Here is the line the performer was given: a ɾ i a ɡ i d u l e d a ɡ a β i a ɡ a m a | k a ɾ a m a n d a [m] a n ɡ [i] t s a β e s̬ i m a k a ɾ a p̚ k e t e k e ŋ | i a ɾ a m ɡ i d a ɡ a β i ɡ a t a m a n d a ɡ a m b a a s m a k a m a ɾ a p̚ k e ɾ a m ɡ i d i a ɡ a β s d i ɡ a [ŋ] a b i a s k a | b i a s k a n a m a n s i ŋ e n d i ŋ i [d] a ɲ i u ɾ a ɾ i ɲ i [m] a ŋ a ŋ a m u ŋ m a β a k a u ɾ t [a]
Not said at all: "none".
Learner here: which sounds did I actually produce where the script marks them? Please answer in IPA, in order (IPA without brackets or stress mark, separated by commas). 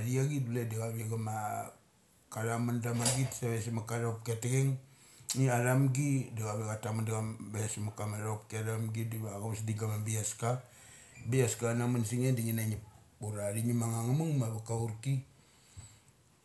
m, i, m, n, m, i